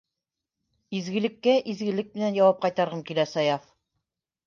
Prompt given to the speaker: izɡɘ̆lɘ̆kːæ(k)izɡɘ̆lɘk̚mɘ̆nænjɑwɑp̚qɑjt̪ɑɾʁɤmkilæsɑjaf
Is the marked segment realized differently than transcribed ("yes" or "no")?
yes